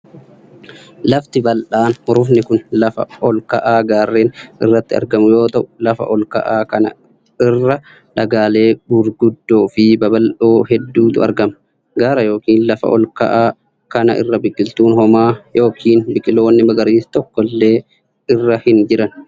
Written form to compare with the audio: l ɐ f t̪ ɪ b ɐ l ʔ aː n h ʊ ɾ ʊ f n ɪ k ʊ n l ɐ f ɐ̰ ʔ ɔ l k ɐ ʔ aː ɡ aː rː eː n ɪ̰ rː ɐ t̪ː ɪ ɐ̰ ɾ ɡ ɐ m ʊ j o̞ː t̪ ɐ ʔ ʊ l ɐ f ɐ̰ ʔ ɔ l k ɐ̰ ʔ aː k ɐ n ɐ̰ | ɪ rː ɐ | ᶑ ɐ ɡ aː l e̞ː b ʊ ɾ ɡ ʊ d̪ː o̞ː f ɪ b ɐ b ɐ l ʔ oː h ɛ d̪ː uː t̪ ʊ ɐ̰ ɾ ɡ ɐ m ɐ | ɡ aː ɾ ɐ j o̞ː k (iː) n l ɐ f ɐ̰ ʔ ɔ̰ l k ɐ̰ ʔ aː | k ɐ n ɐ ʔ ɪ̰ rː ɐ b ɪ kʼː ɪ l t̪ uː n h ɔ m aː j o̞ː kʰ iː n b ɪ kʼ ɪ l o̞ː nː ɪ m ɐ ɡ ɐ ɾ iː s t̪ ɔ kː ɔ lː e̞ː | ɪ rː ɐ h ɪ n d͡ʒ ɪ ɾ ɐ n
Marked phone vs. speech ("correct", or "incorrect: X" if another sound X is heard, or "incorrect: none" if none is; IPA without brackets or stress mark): correct